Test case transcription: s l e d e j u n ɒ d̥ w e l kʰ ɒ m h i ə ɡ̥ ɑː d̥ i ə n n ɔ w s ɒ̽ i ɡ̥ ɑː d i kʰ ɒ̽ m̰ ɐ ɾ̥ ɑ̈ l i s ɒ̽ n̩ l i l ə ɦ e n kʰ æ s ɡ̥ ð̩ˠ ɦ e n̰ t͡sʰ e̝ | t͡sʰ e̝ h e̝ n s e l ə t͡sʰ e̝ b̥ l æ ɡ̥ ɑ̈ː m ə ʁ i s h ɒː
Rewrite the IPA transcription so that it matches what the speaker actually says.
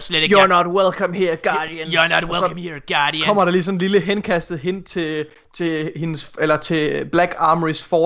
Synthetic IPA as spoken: s l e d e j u n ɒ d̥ w e l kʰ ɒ m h i ɐ ɡ̥ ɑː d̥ i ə n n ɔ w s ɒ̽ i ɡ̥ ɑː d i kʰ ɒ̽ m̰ ɐ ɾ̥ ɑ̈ l i s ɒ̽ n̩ l i l ə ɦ e n kʰ æ s d̥ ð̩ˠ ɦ e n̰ t͡sʰ e̝ | t͡sʰ e̝ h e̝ n s e l ɐ t͡sʰ e̝ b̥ l æ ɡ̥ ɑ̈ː m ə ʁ i s f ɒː